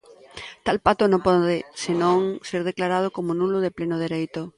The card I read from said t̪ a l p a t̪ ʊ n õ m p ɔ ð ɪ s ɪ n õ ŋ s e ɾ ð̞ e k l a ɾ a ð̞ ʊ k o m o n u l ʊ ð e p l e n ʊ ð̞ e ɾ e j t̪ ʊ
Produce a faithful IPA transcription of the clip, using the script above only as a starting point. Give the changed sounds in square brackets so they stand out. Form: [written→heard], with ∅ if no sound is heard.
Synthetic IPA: t̪ a l p a t̪ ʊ n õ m p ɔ ð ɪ s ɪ n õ ŋ s e ɾ ð̞ e k l a ɾ a ð̞ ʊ k o m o n u l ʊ ð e p l e n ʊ ð̞ e ɾ e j t̪ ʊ